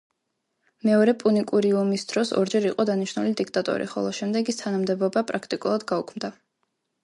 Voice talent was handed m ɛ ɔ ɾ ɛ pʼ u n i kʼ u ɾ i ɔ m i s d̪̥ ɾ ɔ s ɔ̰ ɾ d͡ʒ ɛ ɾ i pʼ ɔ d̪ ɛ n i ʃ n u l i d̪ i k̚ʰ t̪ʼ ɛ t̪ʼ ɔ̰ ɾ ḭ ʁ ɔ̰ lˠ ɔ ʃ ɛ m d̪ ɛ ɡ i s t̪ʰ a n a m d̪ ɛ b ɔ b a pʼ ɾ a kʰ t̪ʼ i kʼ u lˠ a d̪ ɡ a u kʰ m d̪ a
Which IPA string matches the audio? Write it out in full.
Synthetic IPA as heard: m ɛ ɔ ɾ ɛ pʼ u n i kʼ u ɾ i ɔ m i s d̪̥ ɾ ɔ s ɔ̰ ɾ d͡ʒ ɛ ɾ i qʼ ɔ d̪ a n i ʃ n u l i d̪ i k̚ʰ t̪ʼ a t̪ʼ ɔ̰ ɾ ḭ χ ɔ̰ lˠ ɔ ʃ ɛ m d̪ ɛ ɡ i s t̪ʰ a n a m d̪ ɛ b ɔ b a pʼ ɾ a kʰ t̪ʼ i kʼ u lˠ a d̪ ɡ a u kʰ m d̪ a